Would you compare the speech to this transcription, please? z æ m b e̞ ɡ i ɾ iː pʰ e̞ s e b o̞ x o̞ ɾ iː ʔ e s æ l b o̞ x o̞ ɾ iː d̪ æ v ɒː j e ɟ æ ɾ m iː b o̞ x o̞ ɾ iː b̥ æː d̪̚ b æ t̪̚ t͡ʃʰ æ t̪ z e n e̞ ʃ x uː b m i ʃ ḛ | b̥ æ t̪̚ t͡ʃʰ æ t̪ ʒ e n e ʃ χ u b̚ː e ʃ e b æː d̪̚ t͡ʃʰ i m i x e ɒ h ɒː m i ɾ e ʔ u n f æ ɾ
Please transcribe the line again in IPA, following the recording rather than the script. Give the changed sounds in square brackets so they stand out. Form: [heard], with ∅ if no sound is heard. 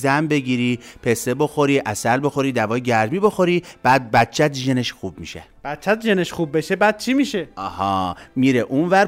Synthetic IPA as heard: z æ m b e̞ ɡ i ɾ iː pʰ e̞ s e b o̞ x o̞ ɾ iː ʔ [æ] s æ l b o̞ x o̞ ɾ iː d̪ æ v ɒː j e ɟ æ ɾ m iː b o̞ x o̞ ɾ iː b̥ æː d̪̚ b æ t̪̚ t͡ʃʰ æ t̪ [ʒ] e n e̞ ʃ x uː b m i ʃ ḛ | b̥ æ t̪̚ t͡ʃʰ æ t̪ ʒ e n e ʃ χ u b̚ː e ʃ e b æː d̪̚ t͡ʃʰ i m i [ʃ] e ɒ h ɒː m i ɾ e ʔ u n [v] æ ɾ